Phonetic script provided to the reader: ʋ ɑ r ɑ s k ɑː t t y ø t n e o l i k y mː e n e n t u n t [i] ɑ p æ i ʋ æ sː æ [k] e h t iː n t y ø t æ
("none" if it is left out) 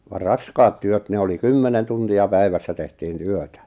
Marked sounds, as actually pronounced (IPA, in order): i, t

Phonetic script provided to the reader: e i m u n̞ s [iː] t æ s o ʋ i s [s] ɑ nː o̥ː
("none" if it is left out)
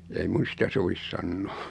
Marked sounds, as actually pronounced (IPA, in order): i, s

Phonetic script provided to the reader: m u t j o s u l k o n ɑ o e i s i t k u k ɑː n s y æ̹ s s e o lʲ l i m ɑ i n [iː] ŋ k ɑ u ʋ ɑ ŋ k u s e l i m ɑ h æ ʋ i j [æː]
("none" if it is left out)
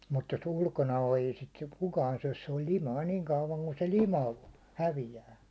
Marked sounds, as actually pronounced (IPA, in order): iː, æː

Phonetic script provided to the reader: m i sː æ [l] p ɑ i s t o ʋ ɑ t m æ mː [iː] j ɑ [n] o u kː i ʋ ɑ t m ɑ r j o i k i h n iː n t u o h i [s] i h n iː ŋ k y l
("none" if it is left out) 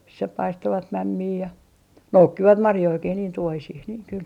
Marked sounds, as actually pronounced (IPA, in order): none, iː, n, s

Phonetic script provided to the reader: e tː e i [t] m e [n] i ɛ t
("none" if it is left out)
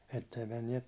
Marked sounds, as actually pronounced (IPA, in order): none, nː

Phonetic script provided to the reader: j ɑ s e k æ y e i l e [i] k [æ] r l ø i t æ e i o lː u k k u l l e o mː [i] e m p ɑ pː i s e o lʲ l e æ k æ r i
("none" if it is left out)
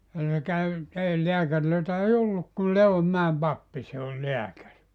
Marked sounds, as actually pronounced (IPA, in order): æ, æ, æ

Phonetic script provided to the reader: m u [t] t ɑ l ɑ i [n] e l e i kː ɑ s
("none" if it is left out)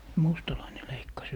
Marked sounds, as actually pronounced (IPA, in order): s, n

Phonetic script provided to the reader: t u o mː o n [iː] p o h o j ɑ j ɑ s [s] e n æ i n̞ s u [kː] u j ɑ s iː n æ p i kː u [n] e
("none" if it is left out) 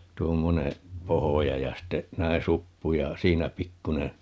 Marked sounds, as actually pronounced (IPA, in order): eː, t, pː, n

